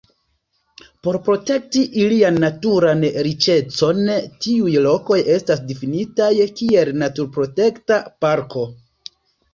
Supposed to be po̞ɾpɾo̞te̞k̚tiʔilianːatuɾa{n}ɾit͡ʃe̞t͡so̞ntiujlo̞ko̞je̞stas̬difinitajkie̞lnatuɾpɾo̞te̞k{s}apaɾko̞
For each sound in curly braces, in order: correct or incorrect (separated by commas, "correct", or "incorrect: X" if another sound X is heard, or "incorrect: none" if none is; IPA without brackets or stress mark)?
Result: correct, incorrect: t